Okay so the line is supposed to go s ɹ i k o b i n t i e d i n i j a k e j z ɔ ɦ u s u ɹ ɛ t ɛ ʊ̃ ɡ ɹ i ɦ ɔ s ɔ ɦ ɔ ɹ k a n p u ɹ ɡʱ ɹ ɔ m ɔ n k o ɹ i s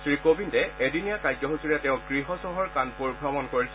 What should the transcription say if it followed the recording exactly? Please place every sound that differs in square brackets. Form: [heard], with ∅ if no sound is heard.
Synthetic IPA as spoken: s ɹ i k o b i n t [ɛ] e d i n i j a k [a] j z ɔ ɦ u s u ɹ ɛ t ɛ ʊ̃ ɡ ɹ i ɦ ɔ s ɔ ɦ ɔ ɹ k a n p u ɹ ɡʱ ɹ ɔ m ɔ n k o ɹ i s